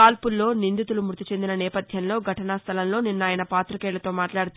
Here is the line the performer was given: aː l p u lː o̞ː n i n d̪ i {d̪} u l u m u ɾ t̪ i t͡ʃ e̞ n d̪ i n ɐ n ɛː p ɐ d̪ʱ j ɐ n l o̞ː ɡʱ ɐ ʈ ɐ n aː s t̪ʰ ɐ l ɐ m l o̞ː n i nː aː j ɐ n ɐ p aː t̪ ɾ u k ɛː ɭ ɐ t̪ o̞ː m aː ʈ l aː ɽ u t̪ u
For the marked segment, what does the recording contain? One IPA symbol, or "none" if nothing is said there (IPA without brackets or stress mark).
t̪